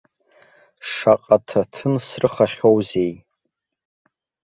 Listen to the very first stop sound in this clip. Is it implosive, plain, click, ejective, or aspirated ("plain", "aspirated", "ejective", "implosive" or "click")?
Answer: ejective